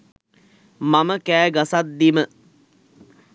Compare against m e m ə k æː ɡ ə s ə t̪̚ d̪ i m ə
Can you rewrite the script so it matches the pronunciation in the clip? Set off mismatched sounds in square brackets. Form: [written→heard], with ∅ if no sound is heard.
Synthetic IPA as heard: m [e→a] m ə k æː ɡ [ə→a] s [ə→a] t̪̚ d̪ i m ə

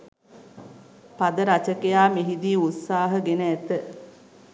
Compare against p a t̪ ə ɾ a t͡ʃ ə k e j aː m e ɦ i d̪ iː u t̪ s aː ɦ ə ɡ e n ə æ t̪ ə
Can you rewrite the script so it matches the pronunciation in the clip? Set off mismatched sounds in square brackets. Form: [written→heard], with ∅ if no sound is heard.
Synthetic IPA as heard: p a [t̪→d̪] ə ɾ a t͡ʃ ə k e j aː m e ɦ i d̪ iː u t̪ s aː ɦ ə ɡ e n ə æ t̪ ə

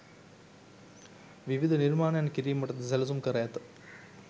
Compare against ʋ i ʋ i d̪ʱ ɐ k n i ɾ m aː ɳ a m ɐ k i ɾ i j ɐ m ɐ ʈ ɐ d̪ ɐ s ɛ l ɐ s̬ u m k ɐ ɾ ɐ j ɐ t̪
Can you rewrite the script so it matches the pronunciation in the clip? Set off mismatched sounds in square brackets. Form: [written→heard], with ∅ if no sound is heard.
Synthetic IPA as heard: ʋ i ʋ i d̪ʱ ɐ [k→∅] n i ɾ m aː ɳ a [m→n] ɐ k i ɾ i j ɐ m ɐ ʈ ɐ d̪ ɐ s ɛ l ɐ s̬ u m k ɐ ɾ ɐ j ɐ t̪

